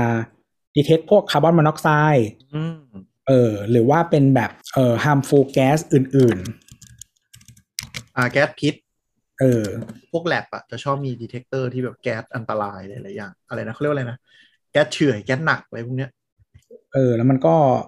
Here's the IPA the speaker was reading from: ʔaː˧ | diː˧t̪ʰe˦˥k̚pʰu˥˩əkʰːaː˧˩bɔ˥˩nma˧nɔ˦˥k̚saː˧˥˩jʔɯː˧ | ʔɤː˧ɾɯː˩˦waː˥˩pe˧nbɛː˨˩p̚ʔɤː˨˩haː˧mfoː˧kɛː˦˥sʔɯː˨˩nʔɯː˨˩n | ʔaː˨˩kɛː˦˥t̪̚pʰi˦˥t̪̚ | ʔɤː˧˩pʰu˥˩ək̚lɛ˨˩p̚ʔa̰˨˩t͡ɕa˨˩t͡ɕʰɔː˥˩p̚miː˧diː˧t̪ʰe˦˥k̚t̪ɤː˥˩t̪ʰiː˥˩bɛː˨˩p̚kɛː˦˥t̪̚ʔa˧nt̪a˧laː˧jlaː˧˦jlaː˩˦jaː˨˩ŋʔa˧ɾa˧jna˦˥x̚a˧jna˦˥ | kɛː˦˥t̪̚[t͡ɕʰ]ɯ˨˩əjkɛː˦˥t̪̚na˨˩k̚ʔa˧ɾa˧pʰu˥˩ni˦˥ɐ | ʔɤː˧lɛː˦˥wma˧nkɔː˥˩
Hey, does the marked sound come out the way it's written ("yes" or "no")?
yes